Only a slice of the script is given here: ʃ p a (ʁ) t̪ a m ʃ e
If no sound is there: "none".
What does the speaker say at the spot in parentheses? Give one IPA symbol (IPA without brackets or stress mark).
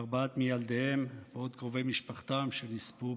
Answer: χ